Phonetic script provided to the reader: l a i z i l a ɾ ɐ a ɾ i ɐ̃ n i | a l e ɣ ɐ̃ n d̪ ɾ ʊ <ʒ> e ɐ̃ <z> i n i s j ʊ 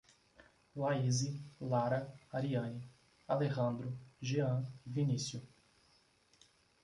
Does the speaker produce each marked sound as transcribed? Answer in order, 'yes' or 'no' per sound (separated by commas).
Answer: yes, no